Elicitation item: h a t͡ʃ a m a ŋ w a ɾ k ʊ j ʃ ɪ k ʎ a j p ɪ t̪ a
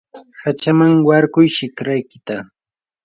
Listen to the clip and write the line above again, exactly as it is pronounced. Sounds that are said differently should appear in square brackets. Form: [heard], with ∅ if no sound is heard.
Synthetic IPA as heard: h a t͡ʃ a m a ŋ w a ɾ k ʊ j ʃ ɪ k [ɾ] a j [k] ɪ t̪ a